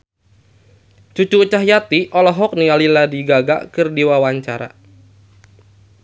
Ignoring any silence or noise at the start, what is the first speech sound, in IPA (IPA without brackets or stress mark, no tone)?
t͡ʃ